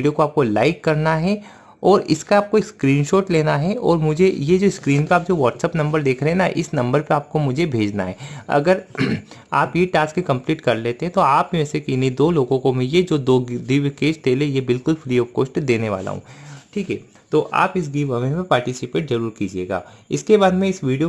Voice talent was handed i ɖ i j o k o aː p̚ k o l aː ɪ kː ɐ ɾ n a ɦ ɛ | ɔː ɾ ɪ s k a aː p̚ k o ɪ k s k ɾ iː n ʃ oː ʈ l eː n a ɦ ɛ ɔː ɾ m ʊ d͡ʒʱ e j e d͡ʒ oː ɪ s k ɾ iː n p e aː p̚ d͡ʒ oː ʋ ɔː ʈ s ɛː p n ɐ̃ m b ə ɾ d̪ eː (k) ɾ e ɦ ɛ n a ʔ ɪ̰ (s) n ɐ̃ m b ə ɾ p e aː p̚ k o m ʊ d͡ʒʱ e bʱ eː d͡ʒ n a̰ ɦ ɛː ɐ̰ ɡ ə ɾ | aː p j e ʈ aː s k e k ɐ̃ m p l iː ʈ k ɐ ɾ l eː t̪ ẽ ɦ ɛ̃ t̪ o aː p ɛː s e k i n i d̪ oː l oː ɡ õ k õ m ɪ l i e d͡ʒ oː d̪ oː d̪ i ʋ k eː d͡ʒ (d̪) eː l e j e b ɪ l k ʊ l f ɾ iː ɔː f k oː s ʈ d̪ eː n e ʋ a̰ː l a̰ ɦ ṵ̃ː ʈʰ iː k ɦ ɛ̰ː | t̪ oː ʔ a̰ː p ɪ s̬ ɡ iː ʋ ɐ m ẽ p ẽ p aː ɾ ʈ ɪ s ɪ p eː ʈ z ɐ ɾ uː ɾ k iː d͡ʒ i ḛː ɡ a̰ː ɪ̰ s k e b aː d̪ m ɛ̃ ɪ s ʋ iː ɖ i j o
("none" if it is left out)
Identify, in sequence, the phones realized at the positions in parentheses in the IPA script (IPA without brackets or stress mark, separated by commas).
kʰ, s, t̪